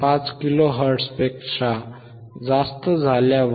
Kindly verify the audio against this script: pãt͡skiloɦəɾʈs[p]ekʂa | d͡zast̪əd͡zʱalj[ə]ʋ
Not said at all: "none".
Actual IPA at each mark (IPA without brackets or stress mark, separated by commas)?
p, a